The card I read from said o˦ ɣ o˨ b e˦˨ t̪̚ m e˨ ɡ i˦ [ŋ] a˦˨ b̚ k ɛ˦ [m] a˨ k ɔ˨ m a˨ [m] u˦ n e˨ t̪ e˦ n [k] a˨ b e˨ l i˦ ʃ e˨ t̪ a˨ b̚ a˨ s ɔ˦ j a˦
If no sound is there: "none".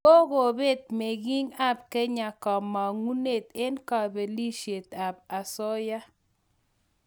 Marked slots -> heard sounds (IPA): ŋ, ɲ, ŋ, k

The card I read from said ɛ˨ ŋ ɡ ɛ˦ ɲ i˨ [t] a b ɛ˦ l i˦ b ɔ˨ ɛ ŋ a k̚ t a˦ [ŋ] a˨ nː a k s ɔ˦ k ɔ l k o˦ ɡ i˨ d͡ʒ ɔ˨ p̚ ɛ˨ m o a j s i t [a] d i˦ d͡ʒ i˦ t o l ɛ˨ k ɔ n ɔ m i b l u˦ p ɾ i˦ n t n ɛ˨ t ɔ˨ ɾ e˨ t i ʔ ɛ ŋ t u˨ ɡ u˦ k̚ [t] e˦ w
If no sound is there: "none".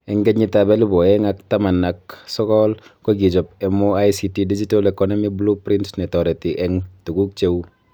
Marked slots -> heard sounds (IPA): t, m, i, t͡ʃ

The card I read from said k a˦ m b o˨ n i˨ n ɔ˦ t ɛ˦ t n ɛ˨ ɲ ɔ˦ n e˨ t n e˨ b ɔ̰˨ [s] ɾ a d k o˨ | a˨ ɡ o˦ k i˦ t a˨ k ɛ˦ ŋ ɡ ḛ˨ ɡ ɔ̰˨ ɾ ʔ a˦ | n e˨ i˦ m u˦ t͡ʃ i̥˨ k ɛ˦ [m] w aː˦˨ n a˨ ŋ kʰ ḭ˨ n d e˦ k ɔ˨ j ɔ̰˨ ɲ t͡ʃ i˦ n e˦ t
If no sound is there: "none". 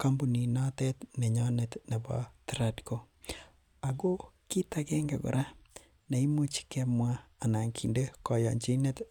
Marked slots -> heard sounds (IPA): t, m

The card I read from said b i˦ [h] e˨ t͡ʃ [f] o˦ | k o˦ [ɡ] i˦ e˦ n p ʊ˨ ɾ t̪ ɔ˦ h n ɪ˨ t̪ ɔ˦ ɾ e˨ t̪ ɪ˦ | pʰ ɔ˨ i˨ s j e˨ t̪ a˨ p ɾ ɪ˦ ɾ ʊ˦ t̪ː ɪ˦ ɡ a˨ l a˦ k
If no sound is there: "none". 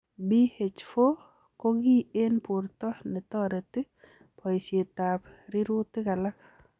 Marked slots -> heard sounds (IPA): h, f, ɡ

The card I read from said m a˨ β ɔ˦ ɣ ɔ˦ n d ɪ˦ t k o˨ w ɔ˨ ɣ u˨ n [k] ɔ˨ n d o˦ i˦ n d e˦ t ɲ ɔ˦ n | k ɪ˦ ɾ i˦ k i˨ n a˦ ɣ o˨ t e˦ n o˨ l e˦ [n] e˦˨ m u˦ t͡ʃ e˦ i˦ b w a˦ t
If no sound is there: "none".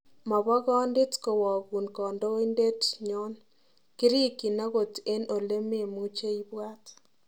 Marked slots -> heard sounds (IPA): k, m

